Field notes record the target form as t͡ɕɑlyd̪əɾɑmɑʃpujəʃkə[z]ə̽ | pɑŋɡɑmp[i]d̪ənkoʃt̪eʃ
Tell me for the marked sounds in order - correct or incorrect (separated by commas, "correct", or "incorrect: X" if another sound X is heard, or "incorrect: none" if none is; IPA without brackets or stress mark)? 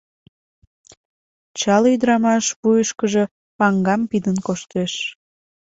incorrect: ʒ, correct